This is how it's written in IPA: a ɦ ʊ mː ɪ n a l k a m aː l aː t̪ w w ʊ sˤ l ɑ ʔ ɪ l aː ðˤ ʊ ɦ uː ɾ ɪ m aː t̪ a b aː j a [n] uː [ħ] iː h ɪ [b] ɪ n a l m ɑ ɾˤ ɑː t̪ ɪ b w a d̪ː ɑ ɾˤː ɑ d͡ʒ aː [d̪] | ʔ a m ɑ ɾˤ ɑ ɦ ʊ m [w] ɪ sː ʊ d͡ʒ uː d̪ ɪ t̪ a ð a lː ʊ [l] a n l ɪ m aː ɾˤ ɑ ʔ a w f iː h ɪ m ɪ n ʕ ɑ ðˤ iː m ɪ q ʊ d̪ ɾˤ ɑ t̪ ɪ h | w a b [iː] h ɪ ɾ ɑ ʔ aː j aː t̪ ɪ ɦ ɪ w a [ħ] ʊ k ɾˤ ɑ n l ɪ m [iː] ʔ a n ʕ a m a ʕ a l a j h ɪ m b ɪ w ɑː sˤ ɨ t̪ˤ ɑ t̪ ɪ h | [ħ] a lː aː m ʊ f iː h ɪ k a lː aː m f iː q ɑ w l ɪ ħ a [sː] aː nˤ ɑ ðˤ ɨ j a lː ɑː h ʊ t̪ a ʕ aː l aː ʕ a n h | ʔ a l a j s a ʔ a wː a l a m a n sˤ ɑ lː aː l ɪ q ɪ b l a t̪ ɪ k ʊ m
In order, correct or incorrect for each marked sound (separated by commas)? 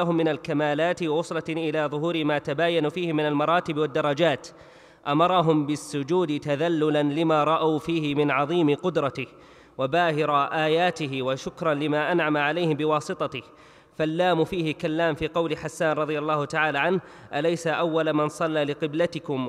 correct, incorrect, incorrect, incorrect, incorrect, correct, incorrect, incorrect, incorrect, incorrect, correct